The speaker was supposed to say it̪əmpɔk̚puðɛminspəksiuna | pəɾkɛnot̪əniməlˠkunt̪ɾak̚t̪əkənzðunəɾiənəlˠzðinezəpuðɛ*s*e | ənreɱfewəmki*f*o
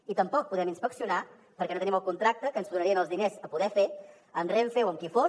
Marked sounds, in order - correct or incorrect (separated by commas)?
incorrect, correct